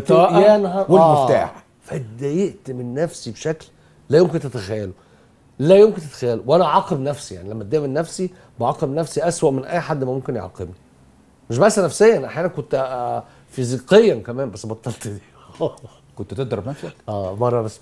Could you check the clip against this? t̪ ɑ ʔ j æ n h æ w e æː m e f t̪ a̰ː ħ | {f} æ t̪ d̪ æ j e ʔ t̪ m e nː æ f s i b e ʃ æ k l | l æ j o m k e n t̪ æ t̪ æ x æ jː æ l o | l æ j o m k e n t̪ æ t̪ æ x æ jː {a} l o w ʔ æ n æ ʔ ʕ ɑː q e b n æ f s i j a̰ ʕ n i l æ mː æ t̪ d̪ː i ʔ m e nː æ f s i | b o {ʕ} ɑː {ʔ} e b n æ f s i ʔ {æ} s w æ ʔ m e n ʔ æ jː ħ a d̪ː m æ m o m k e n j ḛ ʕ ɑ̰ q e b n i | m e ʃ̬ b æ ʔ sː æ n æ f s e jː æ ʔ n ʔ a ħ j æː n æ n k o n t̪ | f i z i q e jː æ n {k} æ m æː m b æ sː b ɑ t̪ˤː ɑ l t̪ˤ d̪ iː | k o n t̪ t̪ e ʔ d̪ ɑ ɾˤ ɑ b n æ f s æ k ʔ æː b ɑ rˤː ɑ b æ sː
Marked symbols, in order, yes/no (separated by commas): yes, no, yes, no, yes, yes